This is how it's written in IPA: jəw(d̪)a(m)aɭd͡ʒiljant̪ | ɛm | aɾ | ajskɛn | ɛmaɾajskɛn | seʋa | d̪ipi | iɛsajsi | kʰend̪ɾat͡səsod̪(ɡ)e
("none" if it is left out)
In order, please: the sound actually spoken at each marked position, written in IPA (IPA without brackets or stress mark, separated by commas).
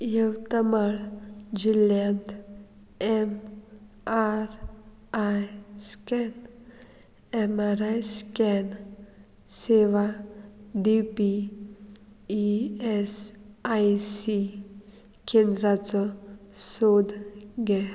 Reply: t̪, m, ɡ